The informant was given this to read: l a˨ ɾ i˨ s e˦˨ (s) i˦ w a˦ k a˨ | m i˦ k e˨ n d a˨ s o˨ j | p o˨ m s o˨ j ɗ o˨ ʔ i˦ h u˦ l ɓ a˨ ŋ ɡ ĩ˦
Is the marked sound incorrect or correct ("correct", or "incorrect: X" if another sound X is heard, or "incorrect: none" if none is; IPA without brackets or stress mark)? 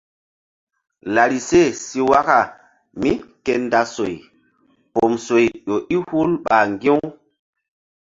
correct